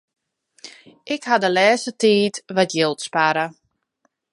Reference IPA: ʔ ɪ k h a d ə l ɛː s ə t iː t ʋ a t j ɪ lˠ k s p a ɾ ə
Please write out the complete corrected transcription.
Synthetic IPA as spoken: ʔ ɪ k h a d ə l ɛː s ə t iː t ʋ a t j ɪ lˠ t s p a ɾ ə